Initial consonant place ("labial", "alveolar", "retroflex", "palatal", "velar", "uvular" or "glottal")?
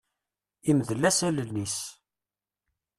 labial